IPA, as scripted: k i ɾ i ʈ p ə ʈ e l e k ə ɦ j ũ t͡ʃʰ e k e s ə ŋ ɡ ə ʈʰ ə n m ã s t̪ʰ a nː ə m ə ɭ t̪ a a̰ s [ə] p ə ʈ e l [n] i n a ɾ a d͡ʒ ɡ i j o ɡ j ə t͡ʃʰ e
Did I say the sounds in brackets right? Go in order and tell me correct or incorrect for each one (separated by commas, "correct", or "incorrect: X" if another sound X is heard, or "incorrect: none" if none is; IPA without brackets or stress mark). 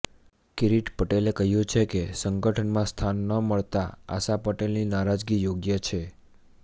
incorrect: a, correct